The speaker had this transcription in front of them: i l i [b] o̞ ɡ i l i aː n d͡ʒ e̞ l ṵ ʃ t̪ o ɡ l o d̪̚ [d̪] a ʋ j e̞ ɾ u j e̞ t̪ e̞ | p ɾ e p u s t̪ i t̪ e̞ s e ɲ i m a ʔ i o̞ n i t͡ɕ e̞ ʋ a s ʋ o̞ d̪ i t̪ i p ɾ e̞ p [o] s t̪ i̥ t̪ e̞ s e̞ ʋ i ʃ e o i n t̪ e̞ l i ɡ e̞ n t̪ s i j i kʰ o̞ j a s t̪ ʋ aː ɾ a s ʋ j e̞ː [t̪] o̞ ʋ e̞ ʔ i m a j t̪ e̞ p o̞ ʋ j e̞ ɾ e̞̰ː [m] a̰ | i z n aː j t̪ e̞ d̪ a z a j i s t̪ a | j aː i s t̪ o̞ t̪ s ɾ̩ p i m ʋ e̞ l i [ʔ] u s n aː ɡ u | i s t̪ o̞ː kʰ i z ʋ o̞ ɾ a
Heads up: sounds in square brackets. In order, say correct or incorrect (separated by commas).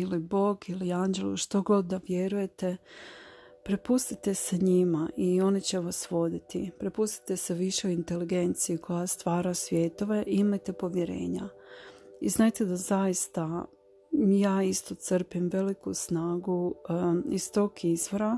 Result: correct, correct, incorrect, correct, incorrect, incorrect